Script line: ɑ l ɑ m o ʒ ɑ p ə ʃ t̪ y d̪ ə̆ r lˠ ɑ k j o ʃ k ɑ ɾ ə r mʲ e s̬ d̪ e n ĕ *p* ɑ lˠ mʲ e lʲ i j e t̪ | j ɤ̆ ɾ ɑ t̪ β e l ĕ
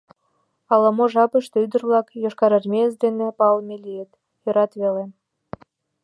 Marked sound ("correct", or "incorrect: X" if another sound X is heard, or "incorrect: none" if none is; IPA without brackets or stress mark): correct